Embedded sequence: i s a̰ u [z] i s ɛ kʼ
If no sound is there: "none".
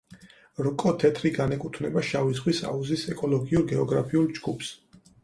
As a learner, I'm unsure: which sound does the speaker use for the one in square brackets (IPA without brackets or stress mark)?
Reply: z